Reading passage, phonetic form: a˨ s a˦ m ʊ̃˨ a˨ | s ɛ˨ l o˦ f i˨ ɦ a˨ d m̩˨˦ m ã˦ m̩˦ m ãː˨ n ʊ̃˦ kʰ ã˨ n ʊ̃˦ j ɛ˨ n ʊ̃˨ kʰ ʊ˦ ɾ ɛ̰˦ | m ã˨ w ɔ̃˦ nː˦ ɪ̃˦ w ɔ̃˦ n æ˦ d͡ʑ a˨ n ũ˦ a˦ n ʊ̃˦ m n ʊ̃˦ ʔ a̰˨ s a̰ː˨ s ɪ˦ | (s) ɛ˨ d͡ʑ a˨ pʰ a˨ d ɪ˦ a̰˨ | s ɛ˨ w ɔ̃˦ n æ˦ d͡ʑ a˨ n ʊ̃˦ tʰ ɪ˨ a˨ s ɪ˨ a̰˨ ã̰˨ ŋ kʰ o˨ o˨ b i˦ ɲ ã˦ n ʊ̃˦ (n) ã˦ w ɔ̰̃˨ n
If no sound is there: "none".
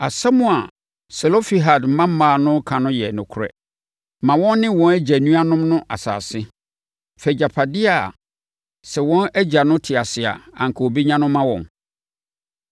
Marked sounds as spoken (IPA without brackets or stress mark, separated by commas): f, m